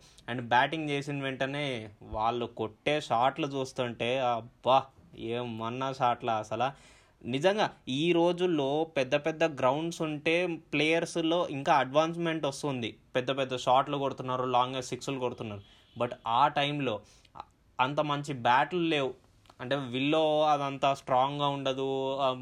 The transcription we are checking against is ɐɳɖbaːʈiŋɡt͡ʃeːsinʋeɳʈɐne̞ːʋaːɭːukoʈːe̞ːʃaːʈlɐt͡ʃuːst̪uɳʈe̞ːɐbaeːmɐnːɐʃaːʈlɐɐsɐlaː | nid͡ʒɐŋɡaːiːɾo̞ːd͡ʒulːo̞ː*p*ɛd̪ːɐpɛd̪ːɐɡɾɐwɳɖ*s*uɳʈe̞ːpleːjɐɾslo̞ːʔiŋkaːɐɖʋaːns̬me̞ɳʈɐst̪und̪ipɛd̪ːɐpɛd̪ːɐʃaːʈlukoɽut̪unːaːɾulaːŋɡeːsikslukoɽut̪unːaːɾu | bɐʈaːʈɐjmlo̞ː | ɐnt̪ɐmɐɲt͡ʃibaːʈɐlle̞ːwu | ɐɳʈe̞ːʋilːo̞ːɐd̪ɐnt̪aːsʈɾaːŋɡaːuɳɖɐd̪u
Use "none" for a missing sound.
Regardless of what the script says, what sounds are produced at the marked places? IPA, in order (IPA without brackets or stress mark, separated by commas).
p, s